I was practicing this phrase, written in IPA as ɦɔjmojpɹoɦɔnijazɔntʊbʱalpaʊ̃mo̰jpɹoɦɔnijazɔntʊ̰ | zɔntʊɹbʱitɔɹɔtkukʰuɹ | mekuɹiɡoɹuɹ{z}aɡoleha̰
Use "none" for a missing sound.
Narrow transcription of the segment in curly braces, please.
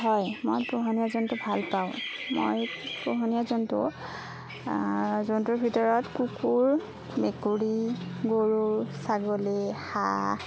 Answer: s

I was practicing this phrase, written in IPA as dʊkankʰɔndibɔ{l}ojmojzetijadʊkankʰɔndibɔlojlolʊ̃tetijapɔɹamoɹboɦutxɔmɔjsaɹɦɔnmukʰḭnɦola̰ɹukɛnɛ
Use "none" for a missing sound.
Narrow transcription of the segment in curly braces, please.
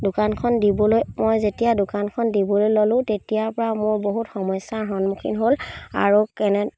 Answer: l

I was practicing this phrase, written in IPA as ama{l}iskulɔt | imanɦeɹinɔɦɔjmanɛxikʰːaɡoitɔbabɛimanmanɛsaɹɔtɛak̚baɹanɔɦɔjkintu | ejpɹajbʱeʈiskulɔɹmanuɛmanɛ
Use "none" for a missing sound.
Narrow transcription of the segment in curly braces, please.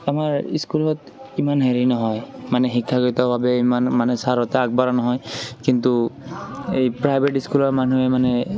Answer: ɹ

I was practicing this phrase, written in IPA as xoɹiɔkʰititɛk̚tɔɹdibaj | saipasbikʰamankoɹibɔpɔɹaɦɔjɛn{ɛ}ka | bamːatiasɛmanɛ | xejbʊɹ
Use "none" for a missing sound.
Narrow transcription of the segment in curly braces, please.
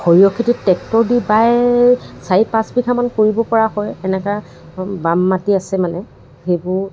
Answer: ɛ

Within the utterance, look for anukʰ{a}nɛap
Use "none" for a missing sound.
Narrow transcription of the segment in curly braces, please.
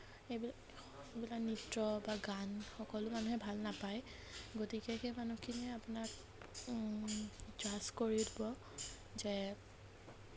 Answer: i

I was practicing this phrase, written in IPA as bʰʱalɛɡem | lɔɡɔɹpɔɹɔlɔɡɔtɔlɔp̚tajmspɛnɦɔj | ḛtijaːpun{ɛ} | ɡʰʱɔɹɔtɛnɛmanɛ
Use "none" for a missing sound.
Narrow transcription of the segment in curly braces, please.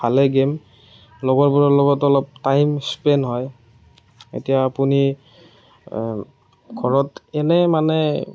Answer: i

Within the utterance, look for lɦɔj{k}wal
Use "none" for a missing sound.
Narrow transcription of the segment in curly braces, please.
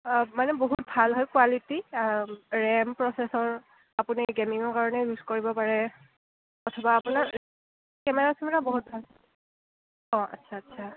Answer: k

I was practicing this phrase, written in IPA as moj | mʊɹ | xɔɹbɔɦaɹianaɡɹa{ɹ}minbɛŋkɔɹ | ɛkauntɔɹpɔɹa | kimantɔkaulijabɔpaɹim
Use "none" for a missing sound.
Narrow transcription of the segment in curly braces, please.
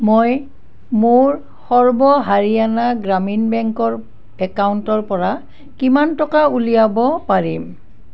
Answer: none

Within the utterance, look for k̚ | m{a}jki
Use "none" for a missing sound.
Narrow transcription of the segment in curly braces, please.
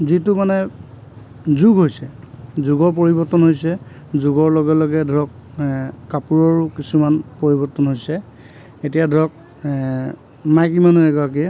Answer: a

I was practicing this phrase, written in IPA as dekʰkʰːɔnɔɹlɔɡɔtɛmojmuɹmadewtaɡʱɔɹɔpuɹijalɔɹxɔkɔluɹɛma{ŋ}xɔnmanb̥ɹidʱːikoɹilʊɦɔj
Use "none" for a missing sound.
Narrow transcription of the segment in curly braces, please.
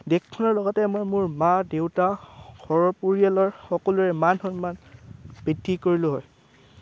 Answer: n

